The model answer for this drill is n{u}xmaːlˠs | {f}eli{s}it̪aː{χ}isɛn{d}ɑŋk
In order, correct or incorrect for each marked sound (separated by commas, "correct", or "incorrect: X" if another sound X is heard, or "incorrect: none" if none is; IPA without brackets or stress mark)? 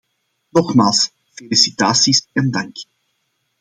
incorrect: ɔ, correct, correct, incorrect: s, correct